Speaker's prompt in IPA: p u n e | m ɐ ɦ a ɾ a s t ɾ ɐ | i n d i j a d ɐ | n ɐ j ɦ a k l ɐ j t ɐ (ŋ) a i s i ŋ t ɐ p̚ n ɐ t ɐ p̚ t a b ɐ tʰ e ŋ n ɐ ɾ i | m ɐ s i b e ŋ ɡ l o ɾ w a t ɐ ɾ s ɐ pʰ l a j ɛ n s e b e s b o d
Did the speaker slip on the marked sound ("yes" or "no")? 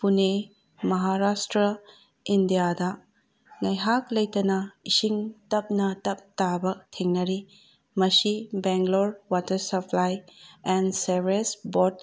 yes